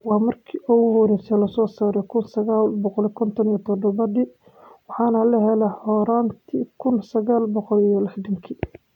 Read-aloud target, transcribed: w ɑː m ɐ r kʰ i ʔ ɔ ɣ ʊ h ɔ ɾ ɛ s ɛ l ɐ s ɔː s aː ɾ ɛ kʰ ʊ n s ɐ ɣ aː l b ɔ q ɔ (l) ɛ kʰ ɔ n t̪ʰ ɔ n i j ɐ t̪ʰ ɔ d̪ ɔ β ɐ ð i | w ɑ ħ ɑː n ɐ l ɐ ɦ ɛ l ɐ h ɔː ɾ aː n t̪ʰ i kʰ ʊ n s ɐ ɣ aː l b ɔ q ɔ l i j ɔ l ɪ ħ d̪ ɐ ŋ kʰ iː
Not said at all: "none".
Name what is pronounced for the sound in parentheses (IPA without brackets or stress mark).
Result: l